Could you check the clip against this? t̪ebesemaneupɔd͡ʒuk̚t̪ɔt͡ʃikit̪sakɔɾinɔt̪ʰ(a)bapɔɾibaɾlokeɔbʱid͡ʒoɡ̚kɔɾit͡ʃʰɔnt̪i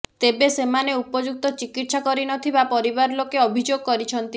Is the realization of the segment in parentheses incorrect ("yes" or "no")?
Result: yes